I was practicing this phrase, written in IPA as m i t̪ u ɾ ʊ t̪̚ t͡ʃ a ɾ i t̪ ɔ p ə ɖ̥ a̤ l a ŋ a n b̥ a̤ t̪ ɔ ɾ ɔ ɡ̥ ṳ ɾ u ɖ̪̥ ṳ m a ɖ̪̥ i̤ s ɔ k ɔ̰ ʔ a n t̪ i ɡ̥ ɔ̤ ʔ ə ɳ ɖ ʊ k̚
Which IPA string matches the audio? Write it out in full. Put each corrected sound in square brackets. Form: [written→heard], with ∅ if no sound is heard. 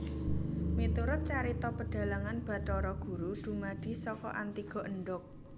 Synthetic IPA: m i t̪ u ɾ ʊ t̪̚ t͡ʃ a ɾ i t̪ ɔ p ə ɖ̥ a̤ l a ŋ a n b̥ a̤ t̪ ɔ ɾ ɔ ɡ̥ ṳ ɾ u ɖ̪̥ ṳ m a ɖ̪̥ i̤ s ɔ k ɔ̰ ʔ a n t̪ i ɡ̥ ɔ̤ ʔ ə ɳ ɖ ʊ k̚